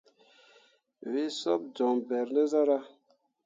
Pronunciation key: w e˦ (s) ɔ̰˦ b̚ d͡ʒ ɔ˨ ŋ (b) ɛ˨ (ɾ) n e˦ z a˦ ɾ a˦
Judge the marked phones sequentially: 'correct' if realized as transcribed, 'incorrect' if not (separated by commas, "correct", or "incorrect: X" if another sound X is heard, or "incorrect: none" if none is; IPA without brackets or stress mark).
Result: correct, correct, correct